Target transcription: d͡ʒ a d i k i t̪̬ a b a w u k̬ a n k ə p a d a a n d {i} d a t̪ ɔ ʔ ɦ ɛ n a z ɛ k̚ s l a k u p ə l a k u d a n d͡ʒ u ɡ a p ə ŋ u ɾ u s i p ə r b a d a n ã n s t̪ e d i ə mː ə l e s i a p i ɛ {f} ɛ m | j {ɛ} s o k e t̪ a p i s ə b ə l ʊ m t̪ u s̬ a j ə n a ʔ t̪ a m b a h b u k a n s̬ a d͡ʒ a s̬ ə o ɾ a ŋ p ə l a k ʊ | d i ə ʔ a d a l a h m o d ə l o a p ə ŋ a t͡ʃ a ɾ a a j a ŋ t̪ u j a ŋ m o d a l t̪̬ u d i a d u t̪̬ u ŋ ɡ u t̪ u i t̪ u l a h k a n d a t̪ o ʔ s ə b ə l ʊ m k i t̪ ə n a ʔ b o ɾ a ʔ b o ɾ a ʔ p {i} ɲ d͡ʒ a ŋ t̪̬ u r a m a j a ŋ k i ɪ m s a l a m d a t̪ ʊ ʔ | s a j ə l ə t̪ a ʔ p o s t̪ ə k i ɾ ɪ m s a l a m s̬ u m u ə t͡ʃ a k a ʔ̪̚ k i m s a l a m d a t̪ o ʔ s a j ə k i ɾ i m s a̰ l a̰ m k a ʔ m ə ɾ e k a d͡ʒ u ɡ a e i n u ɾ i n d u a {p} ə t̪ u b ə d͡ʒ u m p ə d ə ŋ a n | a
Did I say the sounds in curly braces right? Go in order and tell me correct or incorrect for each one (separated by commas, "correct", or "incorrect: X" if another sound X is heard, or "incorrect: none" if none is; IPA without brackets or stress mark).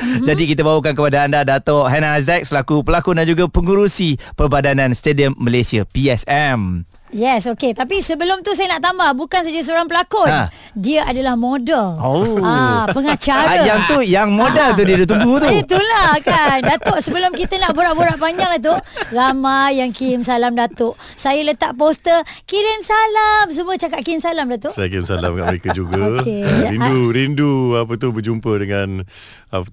incorrect: a, incorrect: s, correct, incorrect: a, correct